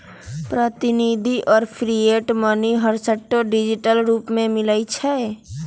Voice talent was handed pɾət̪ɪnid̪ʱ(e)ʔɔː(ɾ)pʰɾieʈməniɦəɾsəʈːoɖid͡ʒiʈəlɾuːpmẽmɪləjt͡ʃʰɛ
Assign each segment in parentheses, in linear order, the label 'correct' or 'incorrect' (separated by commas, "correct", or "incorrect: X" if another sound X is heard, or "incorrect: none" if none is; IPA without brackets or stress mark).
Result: incorrect: i, correct